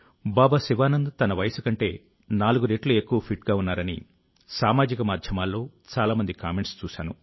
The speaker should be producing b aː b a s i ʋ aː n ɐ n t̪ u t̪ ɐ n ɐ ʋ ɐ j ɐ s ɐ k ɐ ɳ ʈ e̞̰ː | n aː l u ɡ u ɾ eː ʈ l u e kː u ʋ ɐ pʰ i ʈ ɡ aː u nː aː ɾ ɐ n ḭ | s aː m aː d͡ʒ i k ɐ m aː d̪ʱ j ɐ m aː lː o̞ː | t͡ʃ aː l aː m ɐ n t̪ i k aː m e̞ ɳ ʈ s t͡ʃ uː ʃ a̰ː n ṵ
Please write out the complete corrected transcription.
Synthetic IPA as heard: b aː b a s i ʋ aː n ɐ n d̪ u t̪ ɐ n ɐ ʋ ɐ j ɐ s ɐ k ɐ ɳ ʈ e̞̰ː | n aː l u ɡ u ɾ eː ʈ l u e kː u ʋ ɐ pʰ i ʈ ɡ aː u nː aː ɾ ɐ n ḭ | s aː m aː d͡ʒ i k ɐ m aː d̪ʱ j ɐ m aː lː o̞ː | t͡ʃ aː l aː m ɐ n d̪ i k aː m e̞ ɳ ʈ s t͡ʃ uː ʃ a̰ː n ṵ

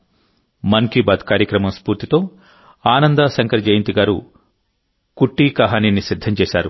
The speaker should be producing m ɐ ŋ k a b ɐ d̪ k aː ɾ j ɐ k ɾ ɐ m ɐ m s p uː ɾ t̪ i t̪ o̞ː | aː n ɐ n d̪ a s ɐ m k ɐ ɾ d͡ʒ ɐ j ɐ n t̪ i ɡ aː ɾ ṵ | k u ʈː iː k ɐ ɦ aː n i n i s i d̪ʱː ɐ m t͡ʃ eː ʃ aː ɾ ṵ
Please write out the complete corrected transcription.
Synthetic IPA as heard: m ɐ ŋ k i b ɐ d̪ k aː ɾ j ɐ k ɾ ɐ m ɐ m s p uː ɾ t̪ i t̪ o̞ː | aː n ɐ n d̪ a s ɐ ŋ k ɐ ɾ d͡ʒ ɐ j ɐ n t̪ i ɡ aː ɾ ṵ | k u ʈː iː k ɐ ɦ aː n i n i s i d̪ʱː ɐ m t͡ʃ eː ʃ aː ɾ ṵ

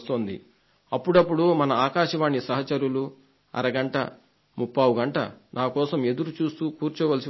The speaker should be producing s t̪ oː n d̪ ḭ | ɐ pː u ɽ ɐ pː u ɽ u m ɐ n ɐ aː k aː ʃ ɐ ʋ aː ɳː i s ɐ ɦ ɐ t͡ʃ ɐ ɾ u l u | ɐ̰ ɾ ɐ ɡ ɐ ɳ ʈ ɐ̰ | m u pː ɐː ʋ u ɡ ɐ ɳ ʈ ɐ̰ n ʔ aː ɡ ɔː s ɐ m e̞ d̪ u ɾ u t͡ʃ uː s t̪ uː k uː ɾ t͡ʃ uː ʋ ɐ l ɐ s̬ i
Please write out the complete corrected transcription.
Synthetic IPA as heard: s t̪ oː n d̪ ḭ | ɐ pː u ɽ ɐ pː u ɽ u m ɐ n ɐ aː k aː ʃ ɐ ʋ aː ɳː i s ɐ ɦ ɐ t͡ʃ ɐ ɾ u l u | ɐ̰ ɾ ɐ ɡ ɐ ɳ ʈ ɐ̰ | m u pː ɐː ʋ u ɡ ɐ ɳ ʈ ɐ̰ n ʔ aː k ɔː s ɐ m e̞ d̪ u ɾ u t͡ʃ uː s t̪ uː k uː ɾ t͡ʃ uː ʋ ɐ l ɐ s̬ i

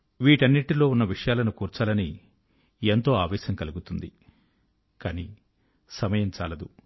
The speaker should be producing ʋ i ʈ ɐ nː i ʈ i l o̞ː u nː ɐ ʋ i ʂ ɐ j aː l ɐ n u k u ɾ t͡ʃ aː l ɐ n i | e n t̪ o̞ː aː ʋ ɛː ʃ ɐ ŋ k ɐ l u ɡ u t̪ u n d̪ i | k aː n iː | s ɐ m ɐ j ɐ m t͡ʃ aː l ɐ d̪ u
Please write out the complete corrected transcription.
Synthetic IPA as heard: ʋ iː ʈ ɐ nː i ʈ i l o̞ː u nː ɐ ʋ i ʂ ɐ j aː l ɐ n u k uː ɾ t͡ʃ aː l ɐ n i | e n t̪ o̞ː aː ʋ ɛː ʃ ɐ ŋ k ɐ l u ɡ u t̪ u n d̪ i | k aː n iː | s ɐ m ɐ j ɐ m t͡ʃ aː l ɐ d̪ u

